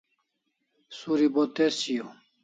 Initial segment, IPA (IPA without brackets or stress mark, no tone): s